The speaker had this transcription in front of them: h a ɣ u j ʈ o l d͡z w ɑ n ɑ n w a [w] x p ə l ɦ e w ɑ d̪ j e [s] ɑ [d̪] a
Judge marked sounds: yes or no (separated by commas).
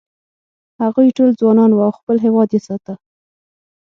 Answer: yes, yes, no